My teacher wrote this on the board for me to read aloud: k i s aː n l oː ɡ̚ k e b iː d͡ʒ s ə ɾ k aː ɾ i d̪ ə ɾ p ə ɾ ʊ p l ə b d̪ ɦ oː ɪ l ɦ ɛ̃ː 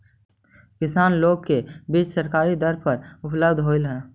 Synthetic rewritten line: k ɪ s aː n l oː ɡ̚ k e b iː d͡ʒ s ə ɾ k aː ɾ i d̪ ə ɾ p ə ɾ ʊ p l ə b d̪ ɦ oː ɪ l ɦ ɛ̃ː

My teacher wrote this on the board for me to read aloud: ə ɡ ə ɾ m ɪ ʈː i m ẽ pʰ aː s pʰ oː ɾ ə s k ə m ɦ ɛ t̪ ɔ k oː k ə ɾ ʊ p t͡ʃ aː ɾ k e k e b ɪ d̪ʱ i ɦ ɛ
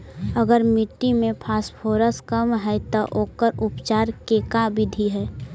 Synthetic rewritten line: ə ɡ ə ɾ m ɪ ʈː i m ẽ pʰ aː s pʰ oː ɾ ə s k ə m ɦ ɛ t̪ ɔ ʔ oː k ə ɾ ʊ p t͡ʃ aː ɾ k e k a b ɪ d̪ʱ i ɦ ɛ

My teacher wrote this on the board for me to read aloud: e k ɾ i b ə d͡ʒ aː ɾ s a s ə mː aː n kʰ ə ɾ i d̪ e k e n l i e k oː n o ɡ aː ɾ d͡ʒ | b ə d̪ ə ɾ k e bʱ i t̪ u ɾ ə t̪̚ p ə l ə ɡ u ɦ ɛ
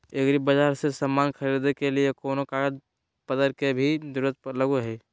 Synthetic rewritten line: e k ɾ i b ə d͡ʒ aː ɾ s e s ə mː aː n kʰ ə ɾ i d̪ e k e l i e k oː n o k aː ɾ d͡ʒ | p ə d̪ ə ɾ k e bʱ i d̪ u ɾ ə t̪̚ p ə l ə ɡ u ɦ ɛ

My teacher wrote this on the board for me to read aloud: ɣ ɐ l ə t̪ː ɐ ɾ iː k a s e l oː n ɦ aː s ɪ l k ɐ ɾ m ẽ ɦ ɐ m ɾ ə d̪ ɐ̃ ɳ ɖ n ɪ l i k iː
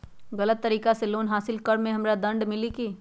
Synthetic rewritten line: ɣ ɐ l ə t̪ː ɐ ɾ iː k a s e l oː n ɦ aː s ɪ l k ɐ ɾ m ẽ ɦ ɐ m ɾ a d̪ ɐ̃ ɳ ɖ m ɪ l i k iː

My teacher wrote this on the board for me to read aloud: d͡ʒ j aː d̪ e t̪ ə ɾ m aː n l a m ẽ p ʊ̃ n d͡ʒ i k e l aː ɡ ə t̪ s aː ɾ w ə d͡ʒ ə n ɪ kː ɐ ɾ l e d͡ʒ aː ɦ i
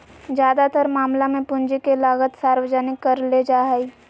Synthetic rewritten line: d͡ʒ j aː d̪ a t̪ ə ɾ m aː m l a m ẽ p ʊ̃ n d͡ʒ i k e l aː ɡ ə t̪ s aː ɾ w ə d͡ʒ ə n ɪ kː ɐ ɾ l e d͡ʒ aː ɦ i

